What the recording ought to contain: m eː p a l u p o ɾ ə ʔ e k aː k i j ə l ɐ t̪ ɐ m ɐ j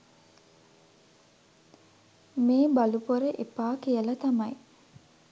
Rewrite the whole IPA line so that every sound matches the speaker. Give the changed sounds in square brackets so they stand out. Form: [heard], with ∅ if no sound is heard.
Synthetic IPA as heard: m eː [b] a l u p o ɾ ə ʔ e [p] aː k i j ə l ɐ t̪ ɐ m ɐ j